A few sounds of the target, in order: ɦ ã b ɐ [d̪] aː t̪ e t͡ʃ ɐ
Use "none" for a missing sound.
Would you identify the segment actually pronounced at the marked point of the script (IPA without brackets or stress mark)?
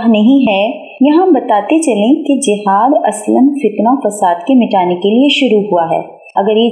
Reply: t̪